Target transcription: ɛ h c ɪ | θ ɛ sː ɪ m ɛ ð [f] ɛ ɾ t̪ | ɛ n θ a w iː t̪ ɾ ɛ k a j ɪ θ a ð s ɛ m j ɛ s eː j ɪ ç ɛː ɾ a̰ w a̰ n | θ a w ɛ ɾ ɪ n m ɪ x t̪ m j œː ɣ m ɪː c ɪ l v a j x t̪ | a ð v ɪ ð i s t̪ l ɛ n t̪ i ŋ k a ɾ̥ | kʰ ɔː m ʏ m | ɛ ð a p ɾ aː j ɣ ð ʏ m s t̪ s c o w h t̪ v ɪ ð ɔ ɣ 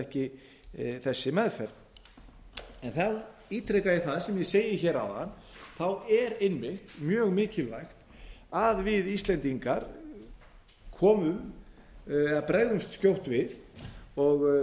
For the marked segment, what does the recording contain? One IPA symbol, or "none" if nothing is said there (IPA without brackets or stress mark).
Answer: f